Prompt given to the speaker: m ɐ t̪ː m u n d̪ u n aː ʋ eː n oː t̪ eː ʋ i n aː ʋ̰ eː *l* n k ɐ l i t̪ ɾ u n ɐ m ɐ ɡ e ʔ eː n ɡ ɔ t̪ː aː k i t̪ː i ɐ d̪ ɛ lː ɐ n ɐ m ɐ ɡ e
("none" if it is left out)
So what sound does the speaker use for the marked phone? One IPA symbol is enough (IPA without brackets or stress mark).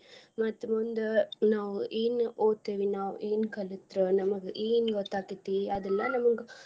none